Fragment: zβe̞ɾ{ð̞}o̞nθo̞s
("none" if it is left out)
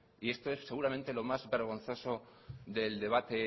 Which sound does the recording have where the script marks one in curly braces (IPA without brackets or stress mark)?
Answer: ɣ̞